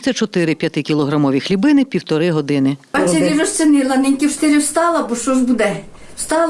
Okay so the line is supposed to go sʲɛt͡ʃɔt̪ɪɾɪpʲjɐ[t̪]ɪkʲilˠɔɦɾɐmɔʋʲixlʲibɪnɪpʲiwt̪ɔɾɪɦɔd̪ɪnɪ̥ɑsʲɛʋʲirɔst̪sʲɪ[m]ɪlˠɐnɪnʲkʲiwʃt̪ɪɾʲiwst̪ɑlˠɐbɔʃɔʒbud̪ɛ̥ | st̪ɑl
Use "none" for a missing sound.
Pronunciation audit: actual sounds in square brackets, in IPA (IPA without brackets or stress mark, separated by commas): t̪, n